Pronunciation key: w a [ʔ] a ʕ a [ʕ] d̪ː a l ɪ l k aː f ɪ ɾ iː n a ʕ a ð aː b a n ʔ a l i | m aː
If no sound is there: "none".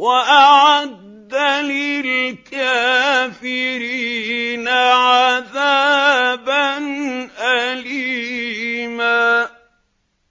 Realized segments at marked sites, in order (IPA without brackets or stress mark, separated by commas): ʔ, none